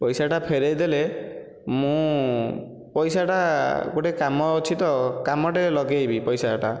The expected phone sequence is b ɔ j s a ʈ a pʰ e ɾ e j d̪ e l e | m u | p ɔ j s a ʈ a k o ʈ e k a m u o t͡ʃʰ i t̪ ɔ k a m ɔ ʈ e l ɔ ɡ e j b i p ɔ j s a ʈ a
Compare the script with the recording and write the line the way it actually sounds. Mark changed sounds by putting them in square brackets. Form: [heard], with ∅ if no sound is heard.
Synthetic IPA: [p] ɔ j s a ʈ a pʰ e ɾ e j d̪ e l e | m [ũ] | p ɔ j s a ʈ a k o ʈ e k a m [ɔ] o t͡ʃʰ i t̪ ɔ k a m ɔ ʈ e l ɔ ɡ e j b i p ɔ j s a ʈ a